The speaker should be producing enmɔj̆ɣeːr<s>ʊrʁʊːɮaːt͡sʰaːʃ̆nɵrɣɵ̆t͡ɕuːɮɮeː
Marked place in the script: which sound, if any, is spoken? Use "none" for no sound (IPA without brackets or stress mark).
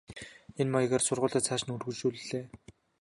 s